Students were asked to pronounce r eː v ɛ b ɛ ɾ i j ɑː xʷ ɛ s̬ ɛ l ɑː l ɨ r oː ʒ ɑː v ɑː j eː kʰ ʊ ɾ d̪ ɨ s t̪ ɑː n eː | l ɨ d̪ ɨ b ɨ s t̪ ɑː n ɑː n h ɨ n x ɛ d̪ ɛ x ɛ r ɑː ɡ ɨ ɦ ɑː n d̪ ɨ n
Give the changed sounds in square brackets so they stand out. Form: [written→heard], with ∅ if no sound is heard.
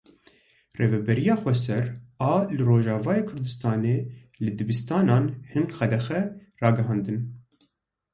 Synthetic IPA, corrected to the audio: r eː v ɛ b ɛ ɾ i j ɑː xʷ ɛ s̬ ɛ [l→ɾ] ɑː l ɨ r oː ʒ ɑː v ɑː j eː kʰ ʊ ɾ d̪ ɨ s t̪ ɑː n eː | l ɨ d̪ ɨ b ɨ s t̪ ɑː n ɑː n h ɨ n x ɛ d̪ ɛ x ɛ r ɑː ɡ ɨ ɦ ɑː n d̪ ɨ n

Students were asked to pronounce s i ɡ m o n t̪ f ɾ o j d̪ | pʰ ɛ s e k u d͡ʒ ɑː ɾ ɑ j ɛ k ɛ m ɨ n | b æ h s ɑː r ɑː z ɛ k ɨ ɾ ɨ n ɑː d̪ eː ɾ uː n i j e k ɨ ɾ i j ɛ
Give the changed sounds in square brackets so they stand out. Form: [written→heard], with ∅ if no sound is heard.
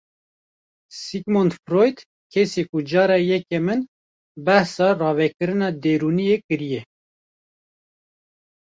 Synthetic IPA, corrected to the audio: s i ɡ m o n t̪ f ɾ o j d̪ | [pʰ→kʰ] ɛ s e k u d͡ʒ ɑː ɾ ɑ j ɛ k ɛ m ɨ n | b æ h s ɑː r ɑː [z→v] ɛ k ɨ ɾ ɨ n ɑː d̪ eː ɾ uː n i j e k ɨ ɾ i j ɛ

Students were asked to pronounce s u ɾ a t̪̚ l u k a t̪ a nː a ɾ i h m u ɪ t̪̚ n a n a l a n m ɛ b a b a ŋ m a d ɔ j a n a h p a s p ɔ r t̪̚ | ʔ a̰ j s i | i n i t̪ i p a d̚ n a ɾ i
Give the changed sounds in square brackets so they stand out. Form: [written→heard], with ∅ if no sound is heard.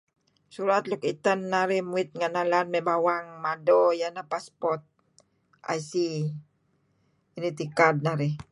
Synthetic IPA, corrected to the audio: s u ɾ a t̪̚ l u k [a→i] t̪ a nː a ɾ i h m u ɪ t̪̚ [n→ŋ] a n a l a n m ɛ b a [b→w] a ŋ m a d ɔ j a n a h p a s p ɔ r t̪̚ | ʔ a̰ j s i | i n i t̪ i [p→k] a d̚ n a ɾ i

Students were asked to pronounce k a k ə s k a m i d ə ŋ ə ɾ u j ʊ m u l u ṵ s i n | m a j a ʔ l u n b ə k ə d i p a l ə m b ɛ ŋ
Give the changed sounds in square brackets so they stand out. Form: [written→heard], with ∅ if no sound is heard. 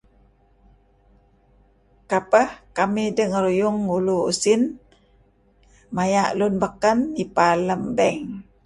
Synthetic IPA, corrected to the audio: k a [k→p] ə [s→h] k a m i d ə ŋ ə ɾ u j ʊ [m→ŋ] u l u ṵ s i n | m a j a ʔ l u n b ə k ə [d→n] i p a l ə m b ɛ ŋ

